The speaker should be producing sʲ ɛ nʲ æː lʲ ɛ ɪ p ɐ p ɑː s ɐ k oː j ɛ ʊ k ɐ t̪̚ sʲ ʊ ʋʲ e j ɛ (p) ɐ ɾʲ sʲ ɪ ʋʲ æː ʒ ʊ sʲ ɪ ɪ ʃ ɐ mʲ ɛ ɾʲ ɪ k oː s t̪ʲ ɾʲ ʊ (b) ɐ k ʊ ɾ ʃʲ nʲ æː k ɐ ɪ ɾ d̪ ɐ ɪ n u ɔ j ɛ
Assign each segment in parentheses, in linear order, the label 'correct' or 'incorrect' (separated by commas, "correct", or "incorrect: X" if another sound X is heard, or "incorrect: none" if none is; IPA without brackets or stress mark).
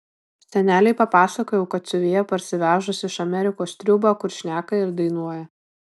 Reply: correct, correct